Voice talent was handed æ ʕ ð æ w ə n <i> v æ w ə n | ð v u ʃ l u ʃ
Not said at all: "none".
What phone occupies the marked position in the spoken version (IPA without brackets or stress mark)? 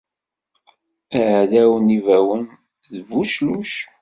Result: i